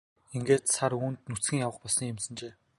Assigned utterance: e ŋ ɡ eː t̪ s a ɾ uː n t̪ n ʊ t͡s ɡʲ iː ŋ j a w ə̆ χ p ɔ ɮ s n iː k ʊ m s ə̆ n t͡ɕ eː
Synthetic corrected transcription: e ŋ ɡ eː t̪ s a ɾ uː n t̪ n u t͡s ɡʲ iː ŋ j a w ə̆ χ p ɔ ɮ s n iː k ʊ m s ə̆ n t͡ɕ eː